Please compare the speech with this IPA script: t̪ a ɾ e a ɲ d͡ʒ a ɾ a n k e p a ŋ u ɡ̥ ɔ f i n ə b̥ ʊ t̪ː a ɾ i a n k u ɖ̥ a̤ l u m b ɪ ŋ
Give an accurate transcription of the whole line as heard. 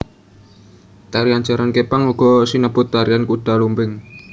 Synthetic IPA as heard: t̪ a ɾ i a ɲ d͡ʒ a ɾ a n k e p a ŋ u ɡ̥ ɔ s i n ə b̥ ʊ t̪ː a ɾ i a n k u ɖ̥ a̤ l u m b ɪ ŋ